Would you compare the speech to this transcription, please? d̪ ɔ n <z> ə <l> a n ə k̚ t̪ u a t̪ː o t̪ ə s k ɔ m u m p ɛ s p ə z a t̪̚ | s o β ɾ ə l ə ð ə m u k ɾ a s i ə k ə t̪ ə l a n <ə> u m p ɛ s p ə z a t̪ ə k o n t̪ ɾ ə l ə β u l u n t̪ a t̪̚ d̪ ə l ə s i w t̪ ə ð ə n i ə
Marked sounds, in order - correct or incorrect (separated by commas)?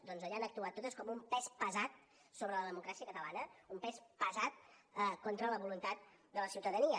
correct, incorrect, correct